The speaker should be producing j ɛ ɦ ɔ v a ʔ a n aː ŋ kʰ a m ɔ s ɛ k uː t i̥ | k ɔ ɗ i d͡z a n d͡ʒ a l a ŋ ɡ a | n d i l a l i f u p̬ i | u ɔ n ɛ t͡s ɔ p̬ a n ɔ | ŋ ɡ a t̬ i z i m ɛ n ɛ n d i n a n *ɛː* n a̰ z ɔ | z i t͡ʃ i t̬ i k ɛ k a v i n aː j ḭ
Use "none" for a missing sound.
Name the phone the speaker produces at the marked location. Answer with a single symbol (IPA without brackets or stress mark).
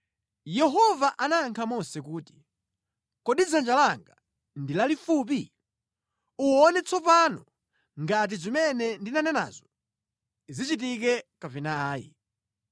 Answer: ɛ